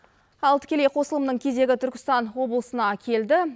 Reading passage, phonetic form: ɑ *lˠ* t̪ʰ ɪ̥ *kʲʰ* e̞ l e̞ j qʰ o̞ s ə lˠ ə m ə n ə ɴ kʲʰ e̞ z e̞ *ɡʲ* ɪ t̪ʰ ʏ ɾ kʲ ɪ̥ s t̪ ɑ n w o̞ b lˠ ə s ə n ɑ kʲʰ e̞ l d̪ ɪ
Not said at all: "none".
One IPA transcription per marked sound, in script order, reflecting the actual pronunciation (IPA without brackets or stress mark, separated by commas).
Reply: lˠ, kʲ, ɡʲ